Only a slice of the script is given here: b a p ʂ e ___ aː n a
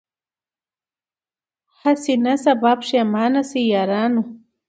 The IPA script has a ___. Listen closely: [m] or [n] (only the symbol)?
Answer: m